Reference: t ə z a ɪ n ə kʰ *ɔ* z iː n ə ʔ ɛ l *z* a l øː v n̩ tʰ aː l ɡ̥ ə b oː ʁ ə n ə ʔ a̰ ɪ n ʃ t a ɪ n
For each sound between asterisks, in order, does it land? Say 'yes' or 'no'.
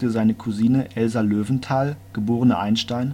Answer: no, yes

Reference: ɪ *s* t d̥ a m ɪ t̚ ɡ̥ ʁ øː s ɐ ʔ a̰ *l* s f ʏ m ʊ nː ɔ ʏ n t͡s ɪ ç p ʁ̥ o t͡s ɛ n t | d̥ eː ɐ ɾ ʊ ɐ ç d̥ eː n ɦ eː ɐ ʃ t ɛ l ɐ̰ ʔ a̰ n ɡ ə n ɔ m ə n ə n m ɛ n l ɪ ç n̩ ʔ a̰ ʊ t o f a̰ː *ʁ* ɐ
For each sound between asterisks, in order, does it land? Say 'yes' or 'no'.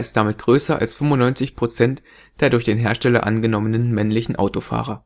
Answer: yes, yes, yes

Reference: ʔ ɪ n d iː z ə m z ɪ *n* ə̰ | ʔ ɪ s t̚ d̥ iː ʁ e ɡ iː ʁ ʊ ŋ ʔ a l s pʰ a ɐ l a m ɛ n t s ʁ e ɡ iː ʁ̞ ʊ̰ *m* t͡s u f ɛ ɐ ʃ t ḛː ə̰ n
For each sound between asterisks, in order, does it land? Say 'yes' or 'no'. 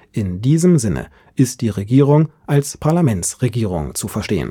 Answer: yes, no

